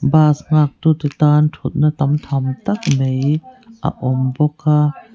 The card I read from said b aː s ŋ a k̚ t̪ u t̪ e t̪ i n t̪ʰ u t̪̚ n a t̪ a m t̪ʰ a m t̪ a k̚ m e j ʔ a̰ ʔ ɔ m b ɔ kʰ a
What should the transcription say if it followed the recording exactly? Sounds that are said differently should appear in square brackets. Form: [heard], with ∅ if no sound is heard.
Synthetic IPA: b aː s ŋ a k̚ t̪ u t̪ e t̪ [a] n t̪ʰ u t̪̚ n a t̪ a m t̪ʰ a m t̪ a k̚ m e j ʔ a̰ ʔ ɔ m b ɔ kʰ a